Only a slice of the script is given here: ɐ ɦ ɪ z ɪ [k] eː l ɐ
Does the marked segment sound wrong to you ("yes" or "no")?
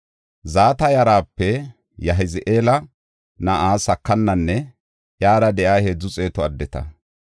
yes